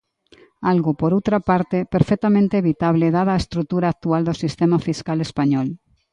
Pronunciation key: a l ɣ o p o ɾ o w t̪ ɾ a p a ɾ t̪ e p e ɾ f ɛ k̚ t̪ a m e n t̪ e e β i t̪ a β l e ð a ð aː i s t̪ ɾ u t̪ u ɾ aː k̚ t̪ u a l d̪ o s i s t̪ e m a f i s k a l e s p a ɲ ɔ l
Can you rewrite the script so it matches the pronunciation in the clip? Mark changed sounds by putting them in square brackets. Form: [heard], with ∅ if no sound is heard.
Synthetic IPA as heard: a l ɣ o p o ɾ o w t̪ ɾ a p a ɾ t̪ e p e ɾ f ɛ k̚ t̪ a m [ẽ] n t̪ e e β i t̪ a β l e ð a ð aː [e] s t̪ ɾ u t̪ u ɾ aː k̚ t̪ u a l d̪ o s i s t̪ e m a f i s k a l e s p a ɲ ɔ l